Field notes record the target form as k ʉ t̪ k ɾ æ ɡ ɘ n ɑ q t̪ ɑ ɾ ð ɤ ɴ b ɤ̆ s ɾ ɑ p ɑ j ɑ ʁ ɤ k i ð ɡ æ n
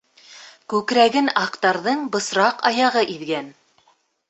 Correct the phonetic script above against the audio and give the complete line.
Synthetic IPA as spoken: k ʉ k ɾ æ ɡ ɘ n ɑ q t̪ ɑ ɾ ð ɤ ɴ b ɤ̆ s ɾ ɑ q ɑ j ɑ ʁ ɤ ʔ i ð ɡ æ n